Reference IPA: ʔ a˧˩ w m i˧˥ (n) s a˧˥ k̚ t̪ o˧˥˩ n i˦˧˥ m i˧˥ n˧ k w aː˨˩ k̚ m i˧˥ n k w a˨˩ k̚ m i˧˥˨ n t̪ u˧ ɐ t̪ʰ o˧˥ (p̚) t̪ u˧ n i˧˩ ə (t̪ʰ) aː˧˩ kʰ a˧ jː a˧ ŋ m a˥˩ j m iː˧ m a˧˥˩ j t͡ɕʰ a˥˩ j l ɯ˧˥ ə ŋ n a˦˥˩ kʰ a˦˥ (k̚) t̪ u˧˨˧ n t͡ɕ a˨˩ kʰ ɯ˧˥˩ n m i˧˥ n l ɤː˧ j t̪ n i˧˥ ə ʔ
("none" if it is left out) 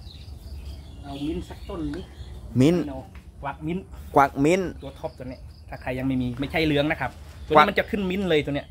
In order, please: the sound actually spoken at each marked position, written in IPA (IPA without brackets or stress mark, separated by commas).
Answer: n, p̚, t̪ʰ, p̚